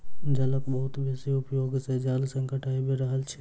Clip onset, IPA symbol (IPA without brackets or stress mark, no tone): d͡ʒ